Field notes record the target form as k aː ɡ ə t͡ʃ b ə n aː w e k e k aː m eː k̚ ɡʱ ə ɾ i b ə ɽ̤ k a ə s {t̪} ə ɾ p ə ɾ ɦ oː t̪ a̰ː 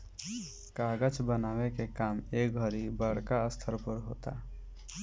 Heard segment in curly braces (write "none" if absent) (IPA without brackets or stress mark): t̪ʰ